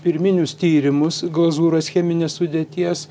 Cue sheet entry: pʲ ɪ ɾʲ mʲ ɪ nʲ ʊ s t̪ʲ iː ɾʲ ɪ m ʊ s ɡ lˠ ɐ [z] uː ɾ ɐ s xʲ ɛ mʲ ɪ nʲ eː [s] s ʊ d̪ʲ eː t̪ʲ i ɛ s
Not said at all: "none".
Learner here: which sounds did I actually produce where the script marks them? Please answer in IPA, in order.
z, s

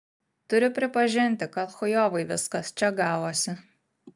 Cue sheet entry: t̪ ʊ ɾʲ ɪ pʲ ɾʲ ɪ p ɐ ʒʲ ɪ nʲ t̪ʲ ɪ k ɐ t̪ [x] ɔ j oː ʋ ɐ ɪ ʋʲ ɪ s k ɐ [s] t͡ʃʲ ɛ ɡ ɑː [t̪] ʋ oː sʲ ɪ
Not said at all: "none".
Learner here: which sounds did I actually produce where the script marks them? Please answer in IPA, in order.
x, s, none

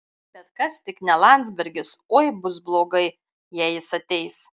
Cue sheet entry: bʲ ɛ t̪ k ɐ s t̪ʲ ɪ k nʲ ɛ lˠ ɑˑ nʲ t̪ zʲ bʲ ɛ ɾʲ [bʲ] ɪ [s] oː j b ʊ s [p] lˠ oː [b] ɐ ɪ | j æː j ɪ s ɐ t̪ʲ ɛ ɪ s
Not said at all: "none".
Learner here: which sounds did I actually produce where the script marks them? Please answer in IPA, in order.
ɡʲ, s, b, ɡ

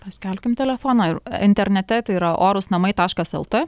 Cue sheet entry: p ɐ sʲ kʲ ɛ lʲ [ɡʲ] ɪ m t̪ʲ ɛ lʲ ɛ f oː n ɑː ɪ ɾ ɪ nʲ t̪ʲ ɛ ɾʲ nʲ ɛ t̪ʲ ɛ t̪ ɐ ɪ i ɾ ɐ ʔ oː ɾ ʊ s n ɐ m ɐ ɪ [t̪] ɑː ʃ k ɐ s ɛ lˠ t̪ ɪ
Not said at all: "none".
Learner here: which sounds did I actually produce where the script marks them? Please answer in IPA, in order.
kʲ, t̪

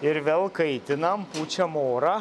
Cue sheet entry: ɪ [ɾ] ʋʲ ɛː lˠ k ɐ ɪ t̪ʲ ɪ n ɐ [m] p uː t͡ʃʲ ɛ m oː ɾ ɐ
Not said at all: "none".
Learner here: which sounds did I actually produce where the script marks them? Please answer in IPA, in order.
ɾ, m

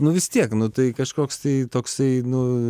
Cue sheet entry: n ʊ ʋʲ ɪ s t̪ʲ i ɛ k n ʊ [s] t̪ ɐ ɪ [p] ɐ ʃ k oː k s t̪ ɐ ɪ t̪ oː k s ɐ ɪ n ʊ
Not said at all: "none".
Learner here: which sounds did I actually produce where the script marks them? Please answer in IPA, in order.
none, k

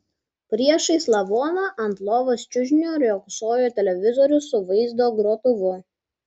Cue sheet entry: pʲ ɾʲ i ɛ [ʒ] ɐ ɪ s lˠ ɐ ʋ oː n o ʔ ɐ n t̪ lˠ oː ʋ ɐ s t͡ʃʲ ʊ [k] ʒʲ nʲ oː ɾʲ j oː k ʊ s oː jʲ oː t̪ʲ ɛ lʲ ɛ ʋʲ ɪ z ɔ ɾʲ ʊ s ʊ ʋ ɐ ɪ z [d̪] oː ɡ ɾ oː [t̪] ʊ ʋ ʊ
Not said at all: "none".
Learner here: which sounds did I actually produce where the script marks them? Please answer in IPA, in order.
ʃ, none, d̪, t̪

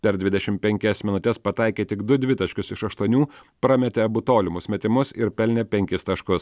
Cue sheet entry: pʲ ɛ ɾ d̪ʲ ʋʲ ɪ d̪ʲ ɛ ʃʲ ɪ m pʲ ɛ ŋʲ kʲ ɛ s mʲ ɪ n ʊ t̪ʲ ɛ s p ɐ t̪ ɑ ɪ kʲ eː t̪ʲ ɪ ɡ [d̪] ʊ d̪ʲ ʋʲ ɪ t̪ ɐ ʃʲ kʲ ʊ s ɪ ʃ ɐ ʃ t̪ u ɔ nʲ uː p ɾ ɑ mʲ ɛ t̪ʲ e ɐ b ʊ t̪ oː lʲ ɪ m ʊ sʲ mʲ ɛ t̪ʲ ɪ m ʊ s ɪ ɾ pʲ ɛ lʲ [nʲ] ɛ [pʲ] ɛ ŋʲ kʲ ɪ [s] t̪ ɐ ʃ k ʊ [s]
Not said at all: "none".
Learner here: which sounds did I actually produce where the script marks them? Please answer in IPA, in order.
d̪, nʲ, pʲ, s, s

